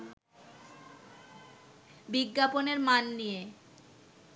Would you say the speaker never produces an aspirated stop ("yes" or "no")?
yes